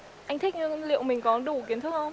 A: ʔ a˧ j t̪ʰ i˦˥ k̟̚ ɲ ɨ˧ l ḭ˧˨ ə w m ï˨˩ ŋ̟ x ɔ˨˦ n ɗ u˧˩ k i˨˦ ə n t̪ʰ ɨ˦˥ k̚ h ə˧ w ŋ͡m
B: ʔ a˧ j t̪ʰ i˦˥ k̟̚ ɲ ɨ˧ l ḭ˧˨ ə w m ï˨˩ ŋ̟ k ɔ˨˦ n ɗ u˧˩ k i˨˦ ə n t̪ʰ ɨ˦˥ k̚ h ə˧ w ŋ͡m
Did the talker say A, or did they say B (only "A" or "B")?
B